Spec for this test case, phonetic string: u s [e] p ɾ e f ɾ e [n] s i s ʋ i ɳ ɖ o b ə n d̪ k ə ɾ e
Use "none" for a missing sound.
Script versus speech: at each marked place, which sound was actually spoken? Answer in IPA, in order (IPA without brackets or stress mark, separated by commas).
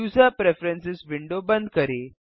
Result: a, n